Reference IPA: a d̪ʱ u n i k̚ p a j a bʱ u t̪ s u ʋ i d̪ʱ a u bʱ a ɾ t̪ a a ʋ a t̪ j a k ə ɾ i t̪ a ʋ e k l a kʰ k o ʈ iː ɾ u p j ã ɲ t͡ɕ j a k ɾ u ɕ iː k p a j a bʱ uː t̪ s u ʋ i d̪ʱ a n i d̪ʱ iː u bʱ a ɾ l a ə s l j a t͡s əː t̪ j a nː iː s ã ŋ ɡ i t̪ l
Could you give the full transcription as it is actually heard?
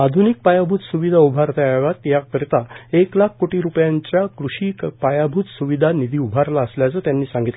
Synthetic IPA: a d̪ʱ u n i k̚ p a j a bʱ u t̪ s u ʋ i d̪ʱ a u bʱ a ɾ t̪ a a ʋ a t̪ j a k ə ɾ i t̪ a e k l a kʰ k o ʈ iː ɾ u p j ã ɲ t͡ɕ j a k ɾ u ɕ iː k p a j a bʱ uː t̪ s u ʋ i d̪ʱ a n i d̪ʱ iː u bʱ a ɾ l a ə s l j a t͡s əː t̪ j a nː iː s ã ŋ ɡ i t̪ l

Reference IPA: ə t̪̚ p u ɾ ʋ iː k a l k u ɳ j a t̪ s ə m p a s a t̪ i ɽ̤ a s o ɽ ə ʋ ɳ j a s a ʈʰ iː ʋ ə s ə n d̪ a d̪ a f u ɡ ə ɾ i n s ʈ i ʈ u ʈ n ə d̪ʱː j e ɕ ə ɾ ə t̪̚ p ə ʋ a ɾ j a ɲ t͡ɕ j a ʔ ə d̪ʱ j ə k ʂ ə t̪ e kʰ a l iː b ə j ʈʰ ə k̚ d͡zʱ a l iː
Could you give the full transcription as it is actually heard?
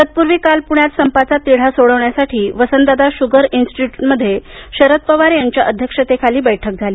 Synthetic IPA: ə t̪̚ p u ɾ ʋ iː k a l p u ɳ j a t̪ s ə m p a t͡s a t̪ i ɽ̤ a s o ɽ ə ʋ ɳ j a s a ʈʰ iː ʋ ə s ə n d̪ a d̪ a ɕ u ɡ ə ɾ i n s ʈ i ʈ u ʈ m ə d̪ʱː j e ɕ ə ɾ ə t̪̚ p ə ʋ a ɾ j a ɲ t͡ɕ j a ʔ ə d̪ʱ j ə k ʂ ə t̪ e kʰ a l iː b ə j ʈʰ ə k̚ d͡zʱ a l iː

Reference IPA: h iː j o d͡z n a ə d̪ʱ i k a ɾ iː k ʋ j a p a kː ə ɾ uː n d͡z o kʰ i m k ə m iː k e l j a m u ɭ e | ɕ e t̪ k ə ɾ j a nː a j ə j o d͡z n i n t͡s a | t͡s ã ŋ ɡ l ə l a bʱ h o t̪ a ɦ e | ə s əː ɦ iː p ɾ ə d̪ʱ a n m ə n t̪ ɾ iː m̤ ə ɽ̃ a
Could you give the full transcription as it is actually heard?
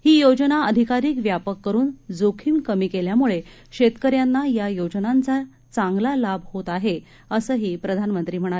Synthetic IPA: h iː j o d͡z n a ə d̪ʱ i k a ɾ iː k ʋ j a p ə kː ə ɾ uː n d͡z o kʰ i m k ə m iː k e l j a m u ɭ e | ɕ e t̪ k ə ɾ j a nː a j a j o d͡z n a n t͡s a | t͡s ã ŋ ɡ l a l a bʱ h o t̪ a ɦ e | ə s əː ɦ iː p ɾ ə d̪ʱ a n m ə n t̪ ɾ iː m̤ ə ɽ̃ a

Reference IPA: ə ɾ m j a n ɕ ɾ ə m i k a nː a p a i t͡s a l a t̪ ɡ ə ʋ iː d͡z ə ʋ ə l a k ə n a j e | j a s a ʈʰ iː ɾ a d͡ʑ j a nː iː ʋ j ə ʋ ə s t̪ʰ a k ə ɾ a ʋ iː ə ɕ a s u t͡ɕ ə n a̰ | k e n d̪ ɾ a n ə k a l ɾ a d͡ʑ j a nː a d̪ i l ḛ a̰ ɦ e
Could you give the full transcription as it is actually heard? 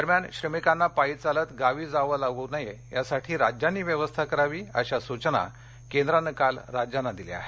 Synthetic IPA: ə ɾ m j a n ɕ ɾ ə m i k a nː a p a i t͡s a l ə t̪ ɡ a ʋ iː d͡z a ʋ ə l a ɡ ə n a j e | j a s a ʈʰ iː ɾ a d͡ʑ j a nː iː ʋ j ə ʋ ə s t̪ʰ a k ə ɾ a ʋ iː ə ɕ a s u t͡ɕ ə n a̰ | k e n d̪ ɾ a n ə k a l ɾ a d͡ʑ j a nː a d̪ i l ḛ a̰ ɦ e

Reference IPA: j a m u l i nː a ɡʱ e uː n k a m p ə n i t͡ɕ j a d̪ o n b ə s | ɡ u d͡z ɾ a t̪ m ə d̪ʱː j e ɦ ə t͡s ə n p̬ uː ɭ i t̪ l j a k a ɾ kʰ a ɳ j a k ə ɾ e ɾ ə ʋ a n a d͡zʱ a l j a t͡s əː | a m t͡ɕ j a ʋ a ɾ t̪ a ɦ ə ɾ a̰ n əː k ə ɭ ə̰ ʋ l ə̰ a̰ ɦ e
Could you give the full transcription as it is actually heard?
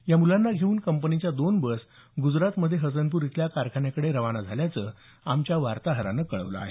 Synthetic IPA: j a m u l a nː a ɡʱ e uː n k ə m p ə n i t͡ɕ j a d̪ o n b ə s | ɡ u d͡z ɾ a t̪ m ə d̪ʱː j e ɦ ə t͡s ə n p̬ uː ɾ i t̪ l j a k a ɾ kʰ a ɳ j a k ə ɽ e ɾ ə ʋ a n a d͡zʱ a l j a t͡s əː | a m t͡ɕ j a ʋ a ɾ t̪ a ɦ ə ɾ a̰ n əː k ə ɭ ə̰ ʋ l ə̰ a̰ ɦ e

